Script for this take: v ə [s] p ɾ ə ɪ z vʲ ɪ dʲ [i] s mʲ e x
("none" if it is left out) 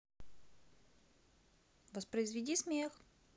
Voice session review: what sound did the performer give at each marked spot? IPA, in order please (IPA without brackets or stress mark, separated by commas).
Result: s, i